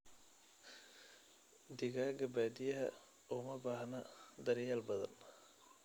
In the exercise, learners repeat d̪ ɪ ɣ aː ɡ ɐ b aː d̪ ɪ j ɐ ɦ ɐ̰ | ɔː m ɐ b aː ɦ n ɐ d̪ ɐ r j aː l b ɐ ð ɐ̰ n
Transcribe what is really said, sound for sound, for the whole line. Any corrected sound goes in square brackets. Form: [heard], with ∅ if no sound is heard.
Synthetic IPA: d̪ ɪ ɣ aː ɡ ɐ b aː d̪ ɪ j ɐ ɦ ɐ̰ | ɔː m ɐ b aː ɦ n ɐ d̪ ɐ [ɾ] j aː l b ɐ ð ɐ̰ n